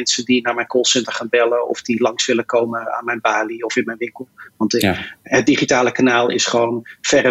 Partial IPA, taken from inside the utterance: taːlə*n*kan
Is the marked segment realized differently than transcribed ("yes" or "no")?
yes